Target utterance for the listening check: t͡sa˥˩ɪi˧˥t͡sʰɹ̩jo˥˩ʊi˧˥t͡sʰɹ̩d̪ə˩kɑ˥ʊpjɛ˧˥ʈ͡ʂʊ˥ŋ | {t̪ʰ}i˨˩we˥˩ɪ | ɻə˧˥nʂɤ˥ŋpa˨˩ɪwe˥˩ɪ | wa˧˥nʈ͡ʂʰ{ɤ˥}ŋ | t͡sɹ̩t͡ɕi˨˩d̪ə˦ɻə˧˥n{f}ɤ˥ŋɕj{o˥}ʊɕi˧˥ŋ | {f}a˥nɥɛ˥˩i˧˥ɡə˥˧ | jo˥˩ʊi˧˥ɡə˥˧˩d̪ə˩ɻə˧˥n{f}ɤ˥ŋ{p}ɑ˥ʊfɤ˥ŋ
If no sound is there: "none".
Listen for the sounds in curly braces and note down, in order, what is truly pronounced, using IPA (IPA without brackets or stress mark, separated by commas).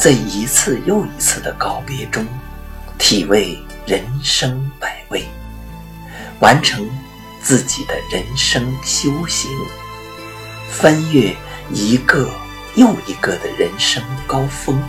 t̪ʰ, ɤ˧˥, ʂ, o˥, f, ʂ, k